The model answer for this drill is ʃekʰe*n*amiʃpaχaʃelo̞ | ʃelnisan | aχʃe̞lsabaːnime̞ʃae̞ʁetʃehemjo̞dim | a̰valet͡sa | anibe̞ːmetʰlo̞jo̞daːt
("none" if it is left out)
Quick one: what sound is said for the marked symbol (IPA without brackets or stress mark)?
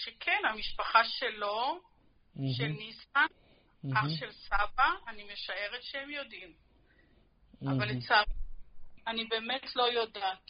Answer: n